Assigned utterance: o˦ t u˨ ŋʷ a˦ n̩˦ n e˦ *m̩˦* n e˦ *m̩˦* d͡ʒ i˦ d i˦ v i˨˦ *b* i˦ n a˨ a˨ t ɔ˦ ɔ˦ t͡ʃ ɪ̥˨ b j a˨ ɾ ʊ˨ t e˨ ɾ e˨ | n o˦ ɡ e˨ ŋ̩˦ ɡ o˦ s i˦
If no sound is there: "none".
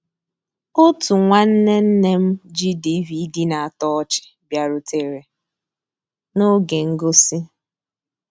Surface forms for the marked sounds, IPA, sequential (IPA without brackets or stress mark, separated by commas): n̩˦, m̩˦, d